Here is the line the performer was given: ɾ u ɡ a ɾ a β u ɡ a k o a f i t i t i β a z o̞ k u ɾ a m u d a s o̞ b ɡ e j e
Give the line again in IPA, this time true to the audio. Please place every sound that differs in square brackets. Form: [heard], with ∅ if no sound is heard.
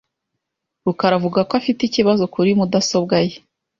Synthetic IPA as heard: ɾ u [k] a ɾ a [v] u ɡ a k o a f i t i [c] i β a z o̞ k u ɾ [i] m u d a s o̞ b ɡ [a] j e